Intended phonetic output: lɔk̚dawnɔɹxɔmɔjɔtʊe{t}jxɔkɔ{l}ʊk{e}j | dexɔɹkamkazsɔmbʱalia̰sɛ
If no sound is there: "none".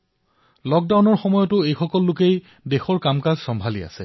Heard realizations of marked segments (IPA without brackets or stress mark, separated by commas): none, lː, e